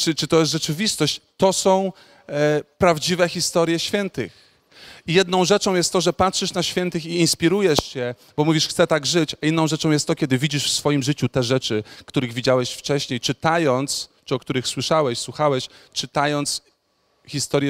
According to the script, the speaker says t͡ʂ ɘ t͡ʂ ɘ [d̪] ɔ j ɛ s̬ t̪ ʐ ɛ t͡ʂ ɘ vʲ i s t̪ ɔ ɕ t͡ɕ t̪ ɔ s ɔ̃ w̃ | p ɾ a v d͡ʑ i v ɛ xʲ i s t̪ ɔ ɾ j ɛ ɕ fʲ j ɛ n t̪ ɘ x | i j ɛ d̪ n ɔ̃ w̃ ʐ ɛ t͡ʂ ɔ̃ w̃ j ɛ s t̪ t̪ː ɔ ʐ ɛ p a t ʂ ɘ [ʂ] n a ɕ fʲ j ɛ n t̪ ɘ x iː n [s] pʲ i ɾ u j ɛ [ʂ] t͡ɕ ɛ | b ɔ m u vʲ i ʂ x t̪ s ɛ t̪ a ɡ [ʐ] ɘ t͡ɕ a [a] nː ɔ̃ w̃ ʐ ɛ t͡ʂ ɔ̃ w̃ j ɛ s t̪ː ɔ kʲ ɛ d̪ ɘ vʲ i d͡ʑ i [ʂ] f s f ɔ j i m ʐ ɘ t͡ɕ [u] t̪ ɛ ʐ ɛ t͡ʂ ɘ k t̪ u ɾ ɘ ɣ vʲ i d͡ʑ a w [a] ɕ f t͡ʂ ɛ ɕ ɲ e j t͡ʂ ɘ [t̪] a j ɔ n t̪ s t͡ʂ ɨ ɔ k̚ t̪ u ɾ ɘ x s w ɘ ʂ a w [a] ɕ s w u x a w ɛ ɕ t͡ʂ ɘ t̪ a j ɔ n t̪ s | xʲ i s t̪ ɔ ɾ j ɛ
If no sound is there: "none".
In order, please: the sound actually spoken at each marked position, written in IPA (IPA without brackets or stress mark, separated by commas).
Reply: t̪, ʂ, s, ʂ, ʐ, i, ʂ, u, ɛ, t̪, ɛ